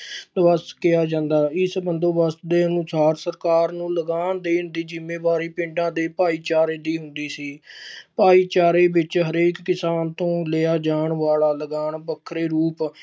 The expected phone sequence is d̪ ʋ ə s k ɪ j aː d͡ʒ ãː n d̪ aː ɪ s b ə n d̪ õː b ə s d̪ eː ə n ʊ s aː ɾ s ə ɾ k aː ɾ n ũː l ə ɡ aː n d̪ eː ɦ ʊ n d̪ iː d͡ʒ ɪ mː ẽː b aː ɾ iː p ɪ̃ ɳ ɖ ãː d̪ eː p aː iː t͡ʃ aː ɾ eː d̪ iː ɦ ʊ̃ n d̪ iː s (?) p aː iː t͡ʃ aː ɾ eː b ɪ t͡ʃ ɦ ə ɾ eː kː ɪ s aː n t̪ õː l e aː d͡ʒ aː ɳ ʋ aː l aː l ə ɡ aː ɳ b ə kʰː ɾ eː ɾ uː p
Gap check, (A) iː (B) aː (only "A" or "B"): A